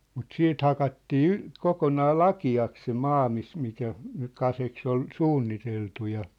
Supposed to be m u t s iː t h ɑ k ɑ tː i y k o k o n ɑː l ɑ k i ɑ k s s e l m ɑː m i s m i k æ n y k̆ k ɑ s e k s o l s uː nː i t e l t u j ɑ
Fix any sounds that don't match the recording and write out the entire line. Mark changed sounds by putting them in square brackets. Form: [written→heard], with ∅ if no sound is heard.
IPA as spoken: m u t s iː t h ɑ k ɑ tː [i→iː] y k o k o n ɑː l ɑ k i ɑ k s s e [l→∅] m ɑː m i s m i k æ n y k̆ k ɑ s e k s o l s uː nː i t e l t u j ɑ